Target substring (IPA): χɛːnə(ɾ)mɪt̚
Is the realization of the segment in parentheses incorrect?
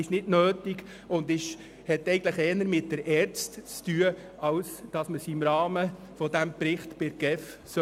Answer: no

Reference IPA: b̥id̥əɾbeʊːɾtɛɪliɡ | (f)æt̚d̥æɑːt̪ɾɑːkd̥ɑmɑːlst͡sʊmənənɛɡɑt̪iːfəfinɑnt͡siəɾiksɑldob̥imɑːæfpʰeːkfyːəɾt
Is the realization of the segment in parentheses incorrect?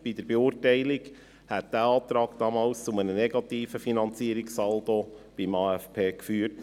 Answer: yes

